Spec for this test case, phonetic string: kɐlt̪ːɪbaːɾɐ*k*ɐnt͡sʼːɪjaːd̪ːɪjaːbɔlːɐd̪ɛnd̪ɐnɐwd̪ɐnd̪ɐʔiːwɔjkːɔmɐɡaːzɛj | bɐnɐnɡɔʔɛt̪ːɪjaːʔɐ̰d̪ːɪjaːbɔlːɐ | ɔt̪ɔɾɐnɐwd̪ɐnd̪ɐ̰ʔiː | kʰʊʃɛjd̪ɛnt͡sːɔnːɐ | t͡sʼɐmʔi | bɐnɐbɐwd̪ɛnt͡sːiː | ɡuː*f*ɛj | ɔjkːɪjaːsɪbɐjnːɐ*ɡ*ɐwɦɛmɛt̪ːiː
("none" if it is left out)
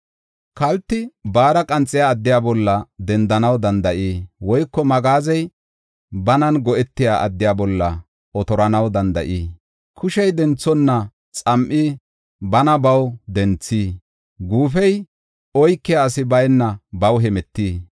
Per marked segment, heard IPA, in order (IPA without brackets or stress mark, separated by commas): kʼ, f, b